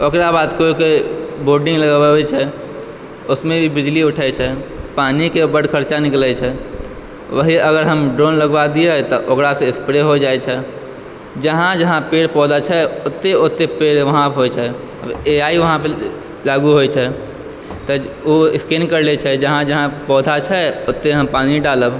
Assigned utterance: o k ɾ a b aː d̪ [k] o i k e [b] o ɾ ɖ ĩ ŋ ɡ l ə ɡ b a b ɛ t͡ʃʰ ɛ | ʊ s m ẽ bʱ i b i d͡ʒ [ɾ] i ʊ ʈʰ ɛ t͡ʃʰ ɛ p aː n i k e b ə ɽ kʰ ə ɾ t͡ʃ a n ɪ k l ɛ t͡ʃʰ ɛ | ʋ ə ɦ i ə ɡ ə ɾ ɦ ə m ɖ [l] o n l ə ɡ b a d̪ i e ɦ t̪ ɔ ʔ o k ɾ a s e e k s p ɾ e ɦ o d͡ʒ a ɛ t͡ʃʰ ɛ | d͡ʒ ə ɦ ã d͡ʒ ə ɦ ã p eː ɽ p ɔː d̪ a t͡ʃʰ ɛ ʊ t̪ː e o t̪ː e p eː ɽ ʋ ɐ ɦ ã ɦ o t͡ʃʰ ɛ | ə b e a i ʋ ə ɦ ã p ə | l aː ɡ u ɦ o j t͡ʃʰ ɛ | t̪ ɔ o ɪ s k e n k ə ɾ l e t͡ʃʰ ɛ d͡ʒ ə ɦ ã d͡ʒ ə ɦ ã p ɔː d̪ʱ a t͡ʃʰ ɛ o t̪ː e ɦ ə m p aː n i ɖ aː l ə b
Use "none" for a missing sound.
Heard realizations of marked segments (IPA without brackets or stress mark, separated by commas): k, b, l, ɾ